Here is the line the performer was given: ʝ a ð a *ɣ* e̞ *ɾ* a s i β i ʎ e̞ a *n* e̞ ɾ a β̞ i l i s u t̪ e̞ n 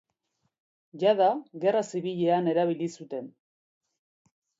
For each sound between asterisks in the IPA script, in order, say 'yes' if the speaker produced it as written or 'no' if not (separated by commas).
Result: yes, no, yes